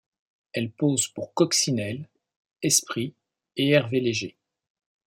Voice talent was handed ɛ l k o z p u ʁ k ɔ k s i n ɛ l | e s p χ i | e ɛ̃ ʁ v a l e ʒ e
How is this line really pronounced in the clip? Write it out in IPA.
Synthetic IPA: ɛ l p o z p u ʁ k ɔ k s i n ɛ l | ɛ s p χ i | e ɛ ʁ v e l e ʒ e